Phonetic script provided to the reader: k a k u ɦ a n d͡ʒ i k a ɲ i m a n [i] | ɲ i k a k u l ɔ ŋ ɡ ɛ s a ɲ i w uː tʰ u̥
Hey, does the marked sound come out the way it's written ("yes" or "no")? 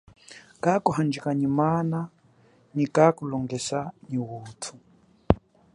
no